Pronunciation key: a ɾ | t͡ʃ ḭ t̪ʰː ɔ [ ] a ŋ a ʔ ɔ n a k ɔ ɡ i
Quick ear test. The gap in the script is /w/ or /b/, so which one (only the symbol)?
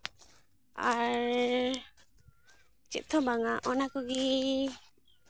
b